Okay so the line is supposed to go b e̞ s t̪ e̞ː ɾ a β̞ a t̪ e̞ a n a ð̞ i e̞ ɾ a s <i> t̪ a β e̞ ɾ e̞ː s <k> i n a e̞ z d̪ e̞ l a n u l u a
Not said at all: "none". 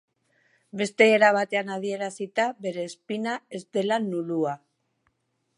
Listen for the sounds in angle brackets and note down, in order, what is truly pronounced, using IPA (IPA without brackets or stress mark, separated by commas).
i, p